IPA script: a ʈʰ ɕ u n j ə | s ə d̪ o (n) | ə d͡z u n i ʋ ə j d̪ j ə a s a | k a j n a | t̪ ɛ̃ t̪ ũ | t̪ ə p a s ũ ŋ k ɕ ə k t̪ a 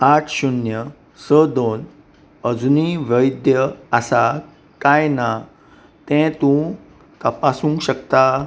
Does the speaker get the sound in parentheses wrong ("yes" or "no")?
no